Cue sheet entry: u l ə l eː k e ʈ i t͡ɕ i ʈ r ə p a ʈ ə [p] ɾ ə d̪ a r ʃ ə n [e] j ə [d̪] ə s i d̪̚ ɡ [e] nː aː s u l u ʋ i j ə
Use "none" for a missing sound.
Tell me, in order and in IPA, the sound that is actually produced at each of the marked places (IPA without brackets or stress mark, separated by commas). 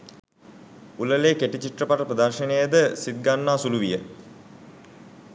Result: p, e, d̪, a